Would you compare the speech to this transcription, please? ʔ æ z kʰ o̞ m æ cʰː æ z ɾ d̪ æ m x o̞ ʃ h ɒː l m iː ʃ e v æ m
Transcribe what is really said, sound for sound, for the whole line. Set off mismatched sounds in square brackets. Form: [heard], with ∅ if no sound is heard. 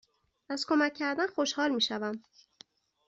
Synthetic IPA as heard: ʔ æ z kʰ o̞ m æ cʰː æ [∅] ɾ d̪ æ [n] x o̞ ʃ h ɒː l m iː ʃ [æ] v æ m